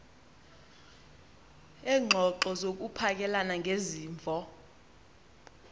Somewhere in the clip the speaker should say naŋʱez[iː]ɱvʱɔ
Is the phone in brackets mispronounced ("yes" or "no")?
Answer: no